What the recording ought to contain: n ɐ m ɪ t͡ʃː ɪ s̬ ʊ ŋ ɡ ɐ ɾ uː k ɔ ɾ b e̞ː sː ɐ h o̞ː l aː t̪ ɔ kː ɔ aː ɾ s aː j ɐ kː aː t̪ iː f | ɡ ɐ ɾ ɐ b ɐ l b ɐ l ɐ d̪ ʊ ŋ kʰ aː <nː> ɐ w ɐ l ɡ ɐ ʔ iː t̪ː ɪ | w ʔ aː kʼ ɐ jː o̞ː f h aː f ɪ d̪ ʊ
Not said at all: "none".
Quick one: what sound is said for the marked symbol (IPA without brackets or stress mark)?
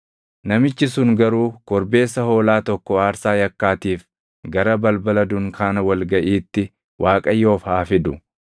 n